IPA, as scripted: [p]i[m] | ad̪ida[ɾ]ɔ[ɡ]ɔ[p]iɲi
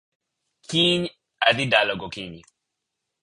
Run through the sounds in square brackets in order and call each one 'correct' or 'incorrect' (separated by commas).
incorrect, incorrect, incorrect, correct, incorrect